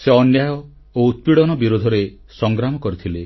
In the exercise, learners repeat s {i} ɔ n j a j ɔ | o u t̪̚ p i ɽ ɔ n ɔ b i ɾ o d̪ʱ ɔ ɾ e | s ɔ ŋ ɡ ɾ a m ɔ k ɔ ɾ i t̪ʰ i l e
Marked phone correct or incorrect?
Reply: incorrect: e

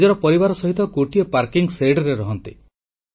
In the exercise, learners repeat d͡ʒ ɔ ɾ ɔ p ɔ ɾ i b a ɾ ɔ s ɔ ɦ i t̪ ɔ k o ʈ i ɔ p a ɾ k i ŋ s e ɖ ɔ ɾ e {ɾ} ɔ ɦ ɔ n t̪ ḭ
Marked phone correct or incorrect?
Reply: correct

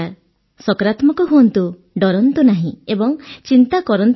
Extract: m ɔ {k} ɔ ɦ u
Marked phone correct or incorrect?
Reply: correct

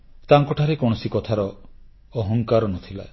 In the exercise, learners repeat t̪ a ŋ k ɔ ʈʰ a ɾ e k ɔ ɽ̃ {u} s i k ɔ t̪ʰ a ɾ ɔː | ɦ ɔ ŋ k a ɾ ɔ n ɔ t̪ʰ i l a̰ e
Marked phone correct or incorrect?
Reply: incorrect: ɔ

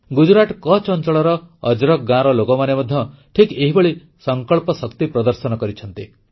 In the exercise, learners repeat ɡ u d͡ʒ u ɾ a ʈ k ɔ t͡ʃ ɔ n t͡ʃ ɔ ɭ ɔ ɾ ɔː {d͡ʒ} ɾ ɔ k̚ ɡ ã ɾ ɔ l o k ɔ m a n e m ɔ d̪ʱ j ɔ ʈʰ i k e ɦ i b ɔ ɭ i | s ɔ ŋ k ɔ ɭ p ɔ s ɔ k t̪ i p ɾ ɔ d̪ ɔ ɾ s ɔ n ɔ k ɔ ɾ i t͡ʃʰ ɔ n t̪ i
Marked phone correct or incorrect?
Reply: correct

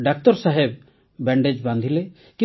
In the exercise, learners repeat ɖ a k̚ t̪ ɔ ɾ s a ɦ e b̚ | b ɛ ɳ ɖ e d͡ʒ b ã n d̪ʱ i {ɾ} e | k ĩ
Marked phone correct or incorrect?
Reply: incorrect: l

